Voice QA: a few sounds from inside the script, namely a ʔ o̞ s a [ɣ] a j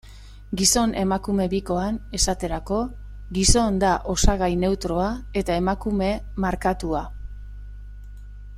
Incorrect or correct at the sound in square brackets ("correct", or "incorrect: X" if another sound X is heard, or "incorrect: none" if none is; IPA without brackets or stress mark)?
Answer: correct